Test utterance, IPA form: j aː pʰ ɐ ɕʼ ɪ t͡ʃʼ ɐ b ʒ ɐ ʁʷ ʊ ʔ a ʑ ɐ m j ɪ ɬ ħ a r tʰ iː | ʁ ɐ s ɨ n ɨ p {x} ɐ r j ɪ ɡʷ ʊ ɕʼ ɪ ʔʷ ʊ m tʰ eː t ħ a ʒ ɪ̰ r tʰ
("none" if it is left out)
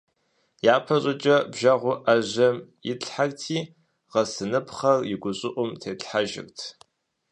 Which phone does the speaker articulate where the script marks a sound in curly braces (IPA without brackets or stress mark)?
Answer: χ